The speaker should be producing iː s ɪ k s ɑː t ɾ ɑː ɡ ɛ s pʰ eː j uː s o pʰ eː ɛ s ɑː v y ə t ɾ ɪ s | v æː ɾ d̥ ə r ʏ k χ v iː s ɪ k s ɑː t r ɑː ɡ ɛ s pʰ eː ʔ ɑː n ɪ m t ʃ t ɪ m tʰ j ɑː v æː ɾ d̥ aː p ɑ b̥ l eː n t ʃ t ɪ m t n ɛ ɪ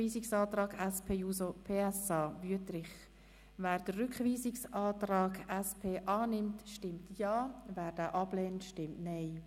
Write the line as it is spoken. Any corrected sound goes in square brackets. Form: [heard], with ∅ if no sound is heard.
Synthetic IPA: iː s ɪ k s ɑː t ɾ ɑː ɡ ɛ s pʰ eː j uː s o pʰ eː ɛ s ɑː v y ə t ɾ ɪ [χ] | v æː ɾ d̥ ə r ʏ k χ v iː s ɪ k s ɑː t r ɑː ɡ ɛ s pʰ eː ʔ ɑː n ɪ m t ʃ t ɪ m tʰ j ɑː v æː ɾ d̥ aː [ʔ] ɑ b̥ l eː n t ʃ t ɪ m t n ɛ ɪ